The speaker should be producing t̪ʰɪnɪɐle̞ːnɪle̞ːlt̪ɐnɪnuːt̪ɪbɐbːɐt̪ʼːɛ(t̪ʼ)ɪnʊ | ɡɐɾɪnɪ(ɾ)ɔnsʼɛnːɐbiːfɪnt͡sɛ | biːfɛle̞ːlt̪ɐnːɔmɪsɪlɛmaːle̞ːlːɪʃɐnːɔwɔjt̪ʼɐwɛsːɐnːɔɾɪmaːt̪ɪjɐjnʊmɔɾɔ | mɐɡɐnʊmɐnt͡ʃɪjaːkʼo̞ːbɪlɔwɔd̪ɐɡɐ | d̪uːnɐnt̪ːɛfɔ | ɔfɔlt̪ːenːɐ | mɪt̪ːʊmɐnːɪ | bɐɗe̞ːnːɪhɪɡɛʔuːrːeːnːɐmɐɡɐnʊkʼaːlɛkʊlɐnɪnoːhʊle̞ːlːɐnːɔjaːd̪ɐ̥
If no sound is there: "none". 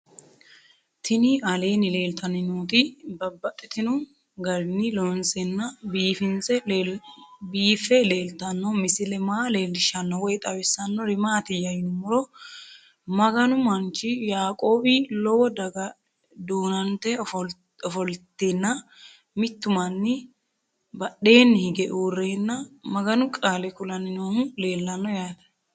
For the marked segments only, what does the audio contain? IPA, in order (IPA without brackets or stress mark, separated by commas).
t̪, l